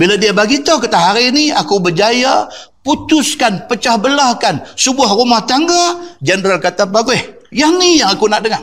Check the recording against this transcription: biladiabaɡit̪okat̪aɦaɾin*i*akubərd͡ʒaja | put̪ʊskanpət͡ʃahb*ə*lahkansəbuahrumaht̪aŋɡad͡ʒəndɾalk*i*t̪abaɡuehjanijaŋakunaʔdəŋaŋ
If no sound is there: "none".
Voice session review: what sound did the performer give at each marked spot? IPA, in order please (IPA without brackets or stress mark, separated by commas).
i, ə, a